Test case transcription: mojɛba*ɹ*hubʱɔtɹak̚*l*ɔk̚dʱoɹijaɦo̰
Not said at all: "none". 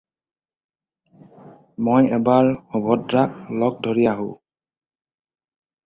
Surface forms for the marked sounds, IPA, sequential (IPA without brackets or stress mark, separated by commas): ɹ, l